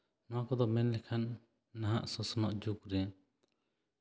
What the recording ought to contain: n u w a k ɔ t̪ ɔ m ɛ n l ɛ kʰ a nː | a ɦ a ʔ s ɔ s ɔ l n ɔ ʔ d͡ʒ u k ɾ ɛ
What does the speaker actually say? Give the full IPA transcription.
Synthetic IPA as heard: n ɔ w a k ɔ d̪ ɔ m ɛ n l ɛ kʰ a nː | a ɦ a ʔ s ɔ s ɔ n ɔ ʔ d͡ʒ u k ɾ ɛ